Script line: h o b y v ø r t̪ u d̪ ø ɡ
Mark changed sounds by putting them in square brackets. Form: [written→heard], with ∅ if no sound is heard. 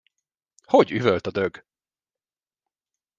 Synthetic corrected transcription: h o [b→ɟ] y v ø [r→l] t̪ [u→ɒ] d̪ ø ɡ